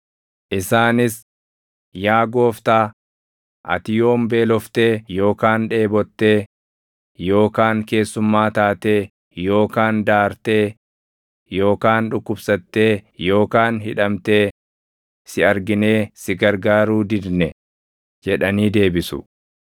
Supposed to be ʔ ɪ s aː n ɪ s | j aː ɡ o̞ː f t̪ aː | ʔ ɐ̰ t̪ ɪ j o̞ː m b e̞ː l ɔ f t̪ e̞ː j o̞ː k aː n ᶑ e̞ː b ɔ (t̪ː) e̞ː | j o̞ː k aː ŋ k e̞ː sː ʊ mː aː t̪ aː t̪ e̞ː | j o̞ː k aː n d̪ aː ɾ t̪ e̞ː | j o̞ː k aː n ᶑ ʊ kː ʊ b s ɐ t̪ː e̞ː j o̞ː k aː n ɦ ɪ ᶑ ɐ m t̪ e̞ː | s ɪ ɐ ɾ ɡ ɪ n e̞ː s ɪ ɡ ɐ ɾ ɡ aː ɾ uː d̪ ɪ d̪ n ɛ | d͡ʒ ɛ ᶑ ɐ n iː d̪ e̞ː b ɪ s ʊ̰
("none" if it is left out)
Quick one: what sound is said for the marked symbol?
t̪ː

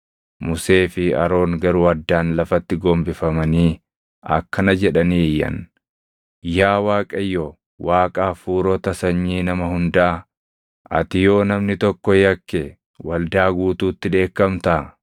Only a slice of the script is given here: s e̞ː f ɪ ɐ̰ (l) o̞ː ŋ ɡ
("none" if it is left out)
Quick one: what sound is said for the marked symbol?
ɾ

